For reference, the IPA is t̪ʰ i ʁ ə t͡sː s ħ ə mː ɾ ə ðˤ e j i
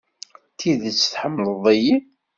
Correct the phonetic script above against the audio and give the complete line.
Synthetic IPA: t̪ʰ i ð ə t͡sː θ ħ ə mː l ə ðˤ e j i